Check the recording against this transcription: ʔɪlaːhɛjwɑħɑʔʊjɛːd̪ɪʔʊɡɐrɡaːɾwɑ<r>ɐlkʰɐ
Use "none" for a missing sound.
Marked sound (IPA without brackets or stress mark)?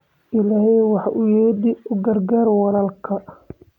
l